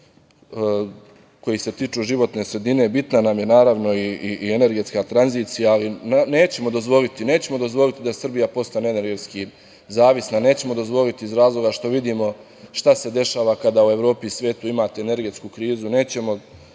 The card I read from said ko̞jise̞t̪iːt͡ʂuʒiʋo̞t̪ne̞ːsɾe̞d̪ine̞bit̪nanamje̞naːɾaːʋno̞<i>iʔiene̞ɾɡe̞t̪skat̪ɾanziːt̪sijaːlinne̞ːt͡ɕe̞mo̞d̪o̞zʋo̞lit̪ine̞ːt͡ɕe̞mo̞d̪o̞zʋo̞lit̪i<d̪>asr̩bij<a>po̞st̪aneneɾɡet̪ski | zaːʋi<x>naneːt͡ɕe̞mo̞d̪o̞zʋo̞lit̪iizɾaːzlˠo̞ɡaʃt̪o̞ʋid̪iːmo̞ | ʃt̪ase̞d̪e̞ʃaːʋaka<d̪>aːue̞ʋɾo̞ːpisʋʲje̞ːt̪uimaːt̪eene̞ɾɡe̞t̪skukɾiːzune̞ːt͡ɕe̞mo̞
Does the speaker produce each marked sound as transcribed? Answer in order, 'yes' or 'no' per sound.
yes, yes, yes, no, yes

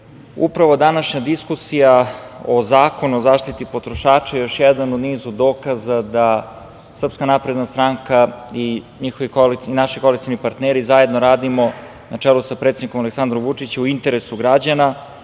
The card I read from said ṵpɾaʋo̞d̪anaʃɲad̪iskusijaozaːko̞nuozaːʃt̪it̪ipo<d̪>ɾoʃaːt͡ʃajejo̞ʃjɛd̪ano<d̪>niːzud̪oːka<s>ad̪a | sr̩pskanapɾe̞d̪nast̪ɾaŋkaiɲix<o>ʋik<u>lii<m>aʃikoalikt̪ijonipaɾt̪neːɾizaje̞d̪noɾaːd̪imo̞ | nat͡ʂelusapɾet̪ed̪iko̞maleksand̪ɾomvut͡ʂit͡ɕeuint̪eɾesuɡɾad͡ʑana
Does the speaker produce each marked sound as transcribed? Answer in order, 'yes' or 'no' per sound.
no, yes, no, yes, no, no

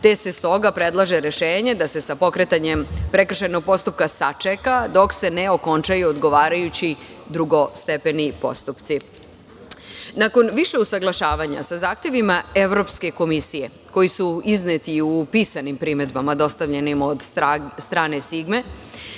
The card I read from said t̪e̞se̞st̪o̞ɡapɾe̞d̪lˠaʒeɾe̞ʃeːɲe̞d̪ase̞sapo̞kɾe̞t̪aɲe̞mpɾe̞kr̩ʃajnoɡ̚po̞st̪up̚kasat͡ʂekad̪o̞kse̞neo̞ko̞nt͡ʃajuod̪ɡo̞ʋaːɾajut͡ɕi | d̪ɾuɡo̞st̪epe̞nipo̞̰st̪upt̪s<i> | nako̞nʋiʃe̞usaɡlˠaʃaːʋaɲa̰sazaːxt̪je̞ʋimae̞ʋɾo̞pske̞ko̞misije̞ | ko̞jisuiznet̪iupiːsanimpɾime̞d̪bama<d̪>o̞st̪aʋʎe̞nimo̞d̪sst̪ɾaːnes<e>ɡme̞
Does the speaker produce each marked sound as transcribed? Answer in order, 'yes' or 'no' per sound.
yes, yes, no

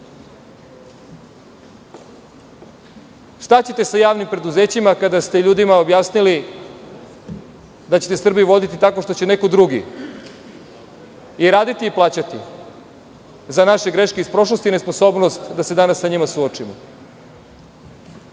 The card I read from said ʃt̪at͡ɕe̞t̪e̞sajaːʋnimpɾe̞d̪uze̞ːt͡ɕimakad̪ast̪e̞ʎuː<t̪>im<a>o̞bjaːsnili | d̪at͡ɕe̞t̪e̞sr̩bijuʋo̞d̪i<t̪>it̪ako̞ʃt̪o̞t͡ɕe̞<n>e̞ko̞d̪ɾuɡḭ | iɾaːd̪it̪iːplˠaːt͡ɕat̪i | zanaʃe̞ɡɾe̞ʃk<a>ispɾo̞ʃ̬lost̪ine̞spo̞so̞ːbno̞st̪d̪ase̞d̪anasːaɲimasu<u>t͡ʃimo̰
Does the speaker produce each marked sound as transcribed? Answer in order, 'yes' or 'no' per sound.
no, yes, yes, yes, no, no

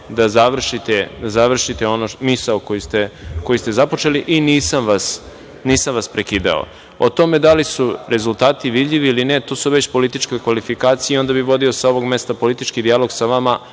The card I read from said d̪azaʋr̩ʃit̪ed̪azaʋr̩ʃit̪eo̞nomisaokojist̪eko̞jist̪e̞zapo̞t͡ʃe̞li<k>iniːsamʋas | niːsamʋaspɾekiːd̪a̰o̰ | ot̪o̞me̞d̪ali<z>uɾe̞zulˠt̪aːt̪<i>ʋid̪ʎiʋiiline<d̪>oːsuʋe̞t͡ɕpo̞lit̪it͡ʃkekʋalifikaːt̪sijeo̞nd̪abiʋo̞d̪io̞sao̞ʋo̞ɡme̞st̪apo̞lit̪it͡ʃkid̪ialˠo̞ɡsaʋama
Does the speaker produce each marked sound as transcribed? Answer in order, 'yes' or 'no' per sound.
no, no, yes, no

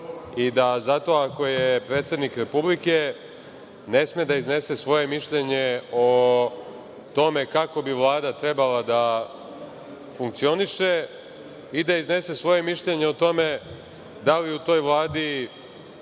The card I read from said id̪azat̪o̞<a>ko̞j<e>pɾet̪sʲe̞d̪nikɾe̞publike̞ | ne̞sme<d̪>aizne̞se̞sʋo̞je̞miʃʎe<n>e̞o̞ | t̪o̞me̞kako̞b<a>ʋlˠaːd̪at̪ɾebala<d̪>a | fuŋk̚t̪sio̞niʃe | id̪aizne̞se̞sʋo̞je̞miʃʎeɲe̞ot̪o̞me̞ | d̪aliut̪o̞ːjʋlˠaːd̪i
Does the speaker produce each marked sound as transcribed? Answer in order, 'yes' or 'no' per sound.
yes, yes, yes, no, no, yes

